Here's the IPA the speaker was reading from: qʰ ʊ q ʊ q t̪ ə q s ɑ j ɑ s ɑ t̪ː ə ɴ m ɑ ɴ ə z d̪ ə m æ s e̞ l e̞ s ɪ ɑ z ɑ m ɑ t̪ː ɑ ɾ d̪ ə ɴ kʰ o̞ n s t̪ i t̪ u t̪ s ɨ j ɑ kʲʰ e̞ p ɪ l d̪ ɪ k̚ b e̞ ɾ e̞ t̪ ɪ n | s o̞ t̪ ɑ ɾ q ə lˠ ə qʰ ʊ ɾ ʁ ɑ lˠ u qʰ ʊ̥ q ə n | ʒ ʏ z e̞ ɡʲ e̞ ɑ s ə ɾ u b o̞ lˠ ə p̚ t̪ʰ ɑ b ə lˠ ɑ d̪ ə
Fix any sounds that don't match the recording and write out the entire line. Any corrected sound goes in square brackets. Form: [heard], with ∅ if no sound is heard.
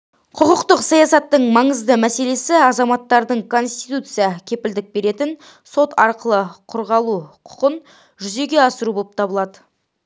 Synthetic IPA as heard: qʰ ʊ q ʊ q t̪ ə q s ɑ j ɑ s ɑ t̪ː ə ɴ m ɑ ɴ ə z d̪ ə m æ s e̞ l e̞ s ɪ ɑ z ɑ m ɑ t̪ː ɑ ɾ d̪ ə ɴ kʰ o̞ n s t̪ i t̪ u t̪ s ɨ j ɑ kʲʰ e̞ p ɪ l d̪ ɪ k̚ b e̞ ɾ e̞ t̪ ɪ n | s o̞ t̪ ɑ ɾ q ə lˠ ə qʰ ʊ ɾ ʁ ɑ lˠ u qʰ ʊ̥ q ə n | ʒ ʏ z e̞ ɡʲ e̞ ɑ s ə ɾ u b o̞ lˠ ə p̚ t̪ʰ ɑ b ə lˠ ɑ d̪ ə